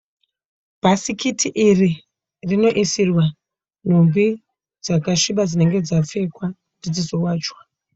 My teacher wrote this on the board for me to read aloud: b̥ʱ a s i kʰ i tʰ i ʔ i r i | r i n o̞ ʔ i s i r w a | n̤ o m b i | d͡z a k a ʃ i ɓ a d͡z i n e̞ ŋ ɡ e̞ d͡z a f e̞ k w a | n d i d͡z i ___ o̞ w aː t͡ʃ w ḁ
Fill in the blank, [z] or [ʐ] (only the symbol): z